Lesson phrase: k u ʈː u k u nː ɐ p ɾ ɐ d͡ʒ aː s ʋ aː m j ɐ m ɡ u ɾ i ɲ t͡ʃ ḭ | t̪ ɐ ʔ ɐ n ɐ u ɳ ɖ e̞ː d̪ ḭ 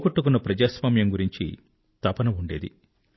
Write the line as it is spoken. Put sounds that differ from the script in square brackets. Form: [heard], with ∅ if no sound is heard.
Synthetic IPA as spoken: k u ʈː u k u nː ɐ p ɾ ɐ d͡ʒ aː s ʋ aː m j ɐ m ɡ u ɾ i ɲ t͡ʃ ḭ | t̪ ɐ [p] ɐ n ɐ u ɳ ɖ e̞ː d̪ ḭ